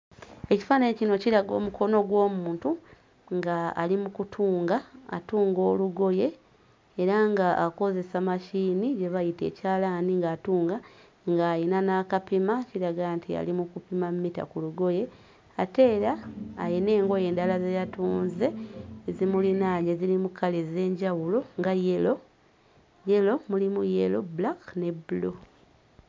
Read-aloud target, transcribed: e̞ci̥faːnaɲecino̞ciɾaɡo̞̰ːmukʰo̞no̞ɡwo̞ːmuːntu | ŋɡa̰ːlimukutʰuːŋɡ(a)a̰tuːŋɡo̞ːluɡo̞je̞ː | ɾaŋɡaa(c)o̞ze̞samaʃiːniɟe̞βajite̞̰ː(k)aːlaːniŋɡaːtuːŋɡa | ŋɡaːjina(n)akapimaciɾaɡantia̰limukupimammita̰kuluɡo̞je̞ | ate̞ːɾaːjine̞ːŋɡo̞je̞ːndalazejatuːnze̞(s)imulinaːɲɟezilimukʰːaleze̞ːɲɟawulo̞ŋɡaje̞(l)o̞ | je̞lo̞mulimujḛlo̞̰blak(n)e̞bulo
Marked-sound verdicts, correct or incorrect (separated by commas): correct, incorrect, incorrect, correct, incorrect, correct, correct